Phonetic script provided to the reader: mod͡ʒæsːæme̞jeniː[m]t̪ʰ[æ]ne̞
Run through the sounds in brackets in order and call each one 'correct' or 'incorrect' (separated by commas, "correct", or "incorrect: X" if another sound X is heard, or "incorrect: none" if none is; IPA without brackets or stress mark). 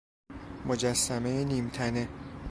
correct, correct